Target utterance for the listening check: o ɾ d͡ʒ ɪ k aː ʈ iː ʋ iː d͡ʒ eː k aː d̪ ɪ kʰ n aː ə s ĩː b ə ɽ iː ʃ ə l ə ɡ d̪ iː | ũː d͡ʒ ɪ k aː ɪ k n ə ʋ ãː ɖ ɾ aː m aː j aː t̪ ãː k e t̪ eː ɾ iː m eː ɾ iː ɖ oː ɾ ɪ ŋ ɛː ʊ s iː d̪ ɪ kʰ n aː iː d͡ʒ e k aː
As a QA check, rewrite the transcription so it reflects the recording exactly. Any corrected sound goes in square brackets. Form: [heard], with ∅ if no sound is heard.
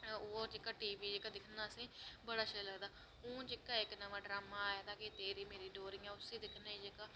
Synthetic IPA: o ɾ d͡ʒ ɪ k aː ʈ iː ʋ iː d͡ʒ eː k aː d̪ ɪ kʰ n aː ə s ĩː b ə ɽ [aː] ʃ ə l ə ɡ d̪ [aː] | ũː d͡ʒ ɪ k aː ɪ k n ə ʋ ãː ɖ ɾ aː m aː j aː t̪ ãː k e t̪ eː ɾ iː m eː ɾ iː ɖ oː ɾ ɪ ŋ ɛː ʊ s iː d̪ ɪ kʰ n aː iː d͡ʒ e k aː